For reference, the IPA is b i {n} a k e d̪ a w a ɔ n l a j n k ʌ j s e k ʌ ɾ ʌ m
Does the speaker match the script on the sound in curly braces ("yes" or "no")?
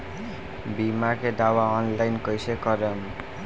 no